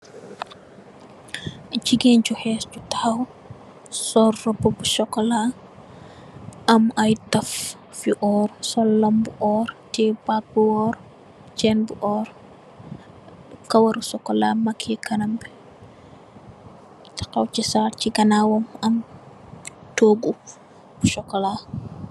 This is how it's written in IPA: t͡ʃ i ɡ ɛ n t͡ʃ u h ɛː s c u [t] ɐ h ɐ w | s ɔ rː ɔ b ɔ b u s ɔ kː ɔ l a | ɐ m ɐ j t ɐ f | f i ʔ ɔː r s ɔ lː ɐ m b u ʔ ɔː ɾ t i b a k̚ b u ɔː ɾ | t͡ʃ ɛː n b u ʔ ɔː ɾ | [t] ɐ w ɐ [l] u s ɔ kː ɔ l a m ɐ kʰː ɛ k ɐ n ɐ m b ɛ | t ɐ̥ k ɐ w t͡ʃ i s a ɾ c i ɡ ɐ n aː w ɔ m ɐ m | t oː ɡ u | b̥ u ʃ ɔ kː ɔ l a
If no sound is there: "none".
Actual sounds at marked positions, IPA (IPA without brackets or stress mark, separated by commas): t, k, ɾ